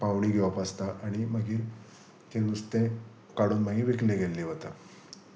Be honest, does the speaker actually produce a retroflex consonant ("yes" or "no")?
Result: yes